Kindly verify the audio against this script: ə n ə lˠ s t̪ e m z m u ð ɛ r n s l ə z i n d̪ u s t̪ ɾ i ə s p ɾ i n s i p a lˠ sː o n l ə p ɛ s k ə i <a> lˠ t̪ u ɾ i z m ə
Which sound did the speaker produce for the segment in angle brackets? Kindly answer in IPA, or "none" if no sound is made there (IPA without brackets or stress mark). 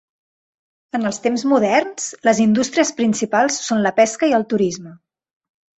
ə